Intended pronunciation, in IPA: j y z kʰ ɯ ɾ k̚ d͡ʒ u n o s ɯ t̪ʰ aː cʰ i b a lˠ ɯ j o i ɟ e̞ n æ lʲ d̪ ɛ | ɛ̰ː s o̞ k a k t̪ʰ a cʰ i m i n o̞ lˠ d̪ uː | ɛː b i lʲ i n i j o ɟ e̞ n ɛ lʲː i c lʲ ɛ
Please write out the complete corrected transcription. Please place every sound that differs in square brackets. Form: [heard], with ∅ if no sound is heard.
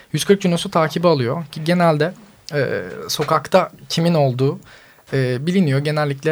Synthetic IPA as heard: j y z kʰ ɯ ɾ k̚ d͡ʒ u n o s [u] t̪ʰ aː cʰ i b a lˠ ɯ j o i ɟ e̞ n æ lʲ d̪ ɛ | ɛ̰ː s o̞ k a k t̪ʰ a cʰ i m i n o̞ lˠ d̪ uː | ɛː b i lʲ i n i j o ɟ e̞ n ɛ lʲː i c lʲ ɛ